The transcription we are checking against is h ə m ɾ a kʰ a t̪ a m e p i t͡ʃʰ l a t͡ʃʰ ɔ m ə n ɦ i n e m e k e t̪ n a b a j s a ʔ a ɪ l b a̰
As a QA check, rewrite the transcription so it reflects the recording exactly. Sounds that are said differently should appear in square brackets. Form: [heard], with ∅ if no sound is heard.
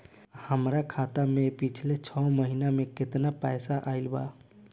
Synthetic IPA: h ə m ɾ a kʰ a t̪ a m e p i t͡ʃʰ l [e] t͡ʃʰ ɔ m ə [∅] ɦ i n [a] m e k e t̪ n a [p] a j s a ʔ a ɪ l b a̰